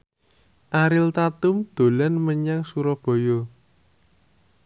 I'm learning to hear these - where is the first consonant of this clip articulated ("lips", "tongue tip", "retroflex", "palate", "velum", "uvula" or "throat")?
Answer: throat